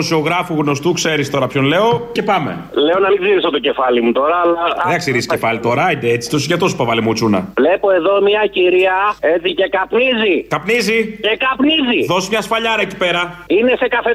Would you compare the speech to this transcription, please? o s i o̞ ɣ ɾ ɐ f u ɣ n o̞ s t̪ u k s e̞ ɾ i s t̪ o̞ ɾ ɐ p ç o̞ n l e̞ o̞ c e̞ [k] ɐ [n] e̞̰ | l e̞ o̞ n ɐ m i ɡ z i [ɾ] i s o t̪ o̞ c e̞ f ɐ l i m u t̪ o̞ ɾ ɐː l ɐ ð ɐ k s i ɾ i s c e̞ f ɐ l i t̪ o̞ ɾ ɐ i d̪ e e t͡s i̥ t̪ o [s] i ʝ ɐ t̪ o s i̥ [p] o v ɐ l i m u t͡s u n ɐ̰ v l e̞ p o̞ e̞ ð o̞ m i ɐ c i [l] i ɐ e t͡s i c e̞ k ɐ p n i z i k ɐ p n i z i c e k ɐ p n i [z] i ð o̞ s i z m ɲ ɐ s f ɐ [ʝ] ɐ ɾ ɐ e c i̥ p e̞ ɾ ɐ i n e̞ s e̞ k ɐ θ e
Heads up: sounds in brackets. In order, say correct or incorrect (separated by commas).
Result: incorrect, incorrect, correct, correct, correct, incorrect, correct, incorrect